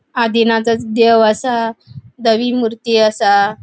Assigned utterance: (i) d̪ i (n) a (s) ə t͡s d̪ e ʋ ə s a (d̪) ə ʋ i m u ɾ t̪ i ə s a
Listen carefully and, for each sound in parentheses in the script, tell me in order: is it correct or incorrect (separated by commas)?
incorrect, correct, incorrect, correct